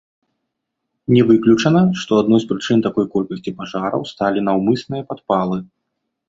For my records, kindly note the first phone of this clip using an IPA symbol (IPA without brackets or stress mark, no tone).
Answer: nʲ